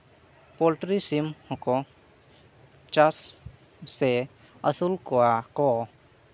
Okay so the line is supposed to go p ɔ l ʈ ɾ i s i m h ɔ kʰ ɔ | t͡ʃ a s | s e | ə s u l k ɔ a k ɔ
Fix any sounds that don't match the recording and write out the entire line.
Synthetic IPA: p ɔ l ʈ ɾ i s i m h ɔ k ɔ | t͡ʃ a s | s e | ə s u l k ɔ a k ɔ